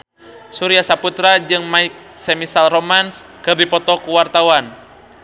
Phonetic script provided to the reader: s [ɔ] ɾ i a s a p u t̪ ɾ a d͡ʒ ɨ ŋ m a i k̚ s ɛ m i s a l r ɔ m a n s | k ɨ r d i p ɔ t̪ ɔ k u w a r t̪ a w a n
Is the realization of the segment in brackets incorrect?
yes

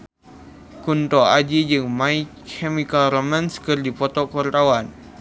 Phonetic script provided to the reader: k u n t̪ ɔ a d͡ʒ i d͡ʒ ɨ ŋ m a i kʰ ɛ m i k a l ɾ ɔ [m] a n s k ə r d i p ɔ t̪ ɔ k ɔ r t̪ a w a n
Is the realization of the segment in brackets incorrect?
no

